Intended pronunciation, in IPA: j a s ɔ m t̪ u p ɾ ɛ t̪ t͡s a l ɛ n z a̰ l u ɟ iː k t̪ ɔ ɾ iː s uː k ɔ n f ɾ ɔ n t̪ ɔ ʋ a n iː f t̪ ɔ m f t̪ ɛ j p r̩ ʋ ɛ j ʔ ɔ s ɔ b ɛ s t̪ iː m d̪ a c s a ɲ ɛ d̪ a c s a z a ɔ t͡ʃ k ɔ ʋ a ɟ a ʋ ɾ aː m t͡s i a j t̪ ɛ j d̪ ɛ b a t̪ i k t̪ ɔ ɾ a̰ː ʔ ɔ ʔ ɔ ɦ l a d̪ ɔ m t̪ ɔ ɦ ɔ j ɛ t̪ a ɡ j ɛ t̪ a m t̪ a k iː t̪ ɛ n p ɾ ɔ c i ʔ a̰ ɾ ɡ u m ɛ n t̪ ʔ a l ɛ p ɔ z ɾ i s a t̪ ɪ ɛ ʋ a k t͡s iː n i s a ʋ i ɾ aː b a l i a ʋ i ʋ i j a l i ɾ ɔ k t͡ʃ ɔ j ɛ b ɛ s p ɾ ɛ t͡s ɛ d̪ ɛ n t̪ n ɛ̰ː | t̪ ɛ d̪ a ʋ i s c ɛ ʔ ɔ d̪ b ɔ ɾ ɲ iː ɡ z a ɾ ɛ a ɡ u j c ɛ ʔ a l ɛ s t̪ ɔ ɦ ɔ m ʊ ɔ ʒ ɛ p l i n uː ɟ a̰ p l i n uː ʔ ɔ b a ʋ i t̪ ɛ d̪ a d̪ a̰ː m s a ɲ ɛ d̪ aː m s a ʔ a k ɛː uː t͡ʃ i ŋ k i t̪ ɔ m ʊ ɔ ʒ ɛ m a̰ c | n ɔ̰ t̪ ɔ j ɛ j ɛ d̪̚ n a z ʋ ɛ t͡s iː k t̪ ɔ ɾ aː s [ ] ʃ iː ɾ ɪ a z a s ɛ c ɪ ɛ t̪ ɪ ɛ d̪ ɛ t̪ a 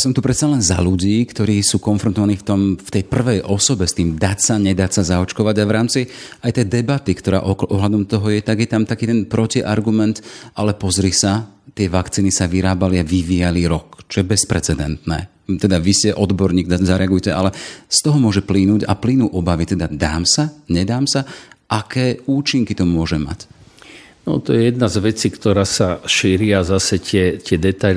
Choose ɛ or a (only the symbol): a